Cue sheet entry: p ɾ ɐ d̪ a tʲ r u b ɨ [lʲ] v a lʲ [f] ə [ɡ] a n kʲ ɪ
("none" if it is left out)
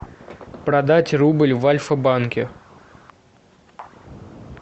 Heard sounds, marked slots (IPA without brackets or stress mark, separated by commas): lʲ, f, b